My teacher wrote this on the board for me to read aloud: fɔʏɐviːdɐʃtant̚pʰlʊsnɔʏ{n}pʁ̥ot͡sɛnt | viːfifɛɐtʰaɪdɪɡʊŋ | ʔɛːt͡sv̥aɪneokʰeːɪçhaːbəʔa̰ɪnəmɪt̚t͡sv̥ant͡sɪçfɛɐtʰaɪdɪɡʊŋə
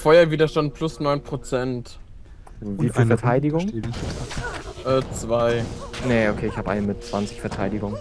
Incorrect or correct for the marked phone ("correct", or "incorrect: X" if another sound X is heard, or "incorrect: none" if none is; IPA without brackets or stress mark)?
correct